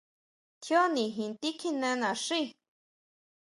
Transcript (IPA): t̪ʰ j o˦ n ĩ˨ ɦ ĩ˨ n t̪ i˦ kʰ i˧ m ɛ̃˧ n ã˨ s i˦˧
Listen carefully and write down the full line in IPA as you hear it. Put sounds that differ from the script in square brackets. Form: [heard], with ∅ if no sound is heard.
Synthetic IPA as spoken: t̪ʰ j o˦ n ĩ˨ ɦ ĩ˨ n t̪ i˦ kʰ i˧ [n] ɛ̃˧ n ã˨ [ʂ] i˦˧